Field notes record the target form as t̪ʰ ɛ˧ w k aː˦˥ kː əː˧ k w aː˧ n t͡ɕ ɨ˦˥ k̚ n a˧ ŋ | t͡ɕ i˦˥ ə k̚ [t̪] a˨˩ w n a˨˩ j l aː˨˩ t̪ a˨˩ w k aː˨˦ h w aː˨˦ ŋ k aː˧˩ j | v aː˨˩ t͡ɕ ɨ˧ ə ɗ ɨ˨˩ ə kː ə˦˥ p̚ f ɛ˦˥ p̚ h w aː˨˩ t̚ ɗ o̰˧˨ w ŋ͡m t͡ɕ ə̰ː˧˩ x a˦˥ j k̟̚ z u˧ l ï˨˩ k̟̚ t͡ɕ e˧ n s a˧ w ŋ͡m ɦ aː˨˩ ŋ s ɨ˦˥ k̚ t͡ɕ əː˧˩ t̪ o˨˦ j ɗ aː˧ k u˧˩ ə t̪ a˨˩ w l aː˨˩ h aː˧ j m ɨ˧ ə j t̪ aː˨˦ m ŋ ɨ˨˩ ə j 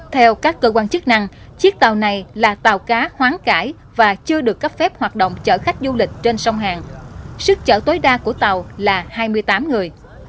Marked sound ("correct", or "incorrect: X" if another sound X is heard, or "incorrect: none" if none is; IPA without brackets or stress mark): correct